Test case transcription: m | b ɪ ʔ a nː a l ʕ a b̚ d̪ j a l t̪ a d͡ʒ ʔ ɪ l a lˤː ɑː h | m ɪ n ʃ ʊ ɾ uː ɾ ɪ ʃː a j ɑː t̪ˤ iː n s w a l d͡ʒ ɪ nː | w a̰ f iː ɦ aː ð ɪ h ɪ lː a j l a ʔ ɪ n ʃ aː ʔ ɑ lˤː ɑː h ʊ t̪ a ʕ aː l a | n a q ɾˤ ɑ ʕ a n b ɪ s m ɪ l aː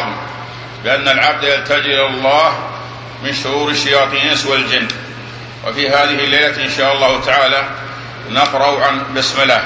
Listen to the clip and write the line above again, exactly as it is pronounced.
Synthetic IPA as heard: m | b ɪ ʔ a nː a l ʕ a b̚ d̪ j a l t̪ a d͡ʒ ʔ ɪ l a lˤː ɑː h | m ɪ n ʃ ʊ ɾ uː ɾ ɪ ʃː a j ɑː t̪ˤ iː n s w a l d͡ʒ ɪ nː | w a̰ f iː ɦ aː ð ɪ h ɪ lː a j l a ʔ ɪ n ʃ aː ʔ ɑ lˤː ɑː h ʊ t̪ a ʕ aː l a | n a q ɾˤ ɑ ʕ a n b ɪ s m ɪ l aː